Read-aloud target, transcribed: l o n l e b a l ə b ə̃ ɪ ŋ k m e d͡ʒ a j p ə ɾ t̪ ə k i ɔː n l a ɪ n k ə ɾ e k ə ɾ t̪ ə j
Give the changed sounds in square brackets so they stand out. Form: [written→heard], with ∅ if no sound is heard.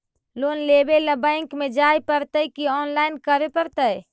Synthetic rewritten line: l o n l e b [a→e] l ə b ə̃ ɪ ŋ k m e d͡ʒ a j p ə ɾ t̪ ə k i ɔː n l a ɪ n k ə ɾ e [k→p] ə ɾ t̪ ə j

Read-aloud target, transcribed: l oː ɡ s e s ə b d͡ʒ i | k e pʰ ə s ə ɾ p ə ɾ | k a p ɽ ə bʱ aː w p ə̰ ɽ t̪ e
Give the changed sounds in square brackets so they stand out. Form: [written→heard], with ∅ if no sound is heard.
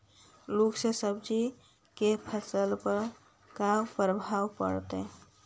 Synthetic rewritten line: l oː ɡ s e s ə b d͡ʒ i | k e pʰ ə s ə [ɾ→l] p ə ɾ | k a p [ɽ→ɾ] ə bʱ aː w p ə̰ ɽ t̪ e

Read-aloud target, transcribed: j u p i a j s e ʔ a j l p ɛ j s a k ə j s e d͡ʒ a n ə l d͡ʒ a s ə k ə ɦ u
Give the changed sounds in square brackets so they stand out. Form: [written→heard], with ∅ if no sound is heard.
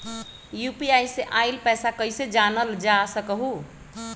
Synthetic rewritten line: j u p i a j s e ʔ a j l p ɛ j s a k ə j s e d͡ʒ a n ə l d͡ʒ a s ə k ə ɦ u

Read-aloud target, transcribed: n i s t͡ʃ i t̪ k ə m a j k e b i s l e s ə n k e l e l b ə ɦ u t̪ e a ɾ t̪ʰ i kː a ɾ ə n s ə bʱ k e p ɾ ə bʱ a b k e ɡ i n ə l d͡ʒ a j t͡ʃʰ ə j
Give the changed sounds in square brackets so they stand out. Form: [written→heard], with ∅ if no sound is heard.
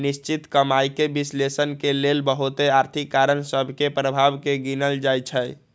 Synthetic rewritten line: n i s t͡ʃ i t̪ k ə m a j k e b i s l e s ə n k e l e l b ə ɦ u t̪ e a ɾ t̪ʰ i kː a ɾ ə n s ə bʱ k e p ɾ ə bʱ a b k e ɡ i n ə l d͡ʒ a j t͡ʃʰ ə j

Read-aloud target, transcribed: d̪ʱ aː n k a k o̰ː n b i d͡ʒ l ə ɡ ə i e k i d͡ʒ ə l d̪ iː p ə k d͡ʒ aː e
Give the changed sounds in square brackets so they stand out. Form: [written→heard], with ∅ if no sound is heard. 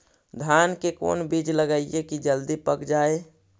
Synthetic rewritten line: d̪ʱ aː n k [a→e] k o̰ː n b i d͡ʒ l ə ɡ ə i e k i d͡ʒ ə l d̪ [iː→i] p ə k d͡ʒ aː e

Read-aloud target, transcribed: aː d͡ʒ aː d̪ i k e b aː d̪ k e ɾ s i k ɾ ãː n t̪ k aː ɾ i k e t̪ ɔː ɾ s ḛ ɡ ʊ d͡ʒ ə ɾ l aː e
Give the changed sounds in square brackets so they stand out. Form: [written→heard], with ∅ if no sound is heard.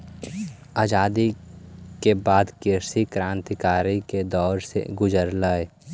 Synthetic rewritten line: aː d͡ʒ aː d̪ i k e b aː d̪ k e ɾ s i k ɾ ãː n t̪ k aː ɾ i k e [t̪→d̪] ɔː ɾ s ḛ ɡ ʊ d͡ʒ ə ɾ l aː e

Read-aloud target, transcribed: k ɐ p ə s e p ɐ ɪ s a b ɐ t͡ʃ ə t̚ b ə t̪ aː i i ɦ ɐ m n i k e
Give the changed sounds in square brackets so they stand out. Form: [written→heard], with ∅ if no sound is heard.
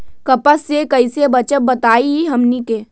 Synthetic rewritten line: k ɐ p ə s e [p→k] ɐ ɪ s [a→e] b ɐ t͡ʃ ə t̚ b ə t̪ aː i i ɦ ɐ m n i k e

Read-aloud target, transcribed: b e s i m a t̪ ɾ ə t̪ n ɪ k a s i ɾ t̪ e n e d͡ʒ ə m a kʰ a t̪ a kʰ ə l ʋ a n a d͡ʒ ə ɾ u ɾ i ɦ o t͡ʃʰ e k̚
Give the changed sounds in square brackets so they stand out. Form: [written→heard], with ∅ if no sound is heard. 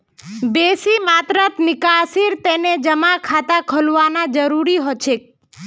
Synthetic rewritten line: b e s i m a t̪ ɾ ə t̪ n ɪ k a s i ɾ t̪ e n e d͡ʒ ə m a kʰ a t̪ a kʰ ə l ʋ a n a d͡ʒ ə ɾ u ɾ i ɦ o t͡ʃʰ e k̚

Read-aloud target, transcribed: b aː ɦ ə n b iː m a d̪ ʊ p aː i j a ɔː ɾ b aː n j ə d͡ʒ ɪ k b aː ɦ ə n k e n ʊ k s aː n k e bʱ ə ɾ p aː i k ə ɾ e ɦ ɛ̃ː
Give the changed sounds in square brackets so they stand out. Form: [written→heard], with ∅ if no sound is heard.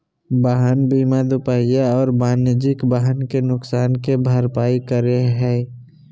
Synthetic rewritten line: b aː ɦ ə n b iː m a d̪ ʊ p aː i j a ɔː ɾ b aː n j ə d͡ʒ ɪ k b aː ɦ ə n k e n ʊ k s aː n k e bʱ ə ɾ p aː i k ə ɾ e ɦ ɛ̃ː

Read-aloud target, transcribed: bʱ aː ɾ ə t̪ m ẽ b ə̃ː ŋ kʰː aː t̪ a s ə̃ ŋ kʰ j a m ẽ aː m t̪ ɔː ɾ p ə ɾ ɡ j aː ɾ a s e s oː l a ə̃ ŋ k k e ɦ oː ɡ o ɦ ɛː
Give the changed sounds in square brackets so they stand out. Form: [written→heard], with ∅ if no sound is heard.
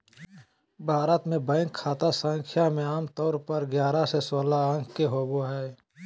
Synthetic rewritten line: bʱ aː ɾ ə t̪ m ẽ b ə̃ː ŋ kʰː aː t̪ a s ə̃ ŋ kʰ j a m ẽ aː m t̪ ɔː ɾ p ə ɾ ɡ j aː ɾ a s e s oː l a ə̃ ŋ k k e ɦ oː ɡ o ɦ ɛː

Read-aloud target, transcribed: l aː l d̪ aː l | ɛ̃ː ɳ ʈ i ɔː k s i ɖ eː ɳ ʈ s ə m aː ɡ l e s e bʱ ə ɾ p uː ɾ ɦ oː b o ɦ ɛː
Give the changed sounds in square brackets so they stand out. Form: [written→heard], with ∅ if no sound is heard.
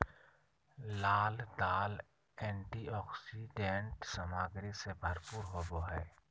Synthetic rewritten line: l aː l d̪ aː l | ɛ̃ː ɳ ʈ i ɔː k s i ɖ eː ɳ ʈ s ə m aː ɡ [l→ɾ] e s e bʱ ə ɾ p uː ɾ ɦ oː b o ɦ ɛː

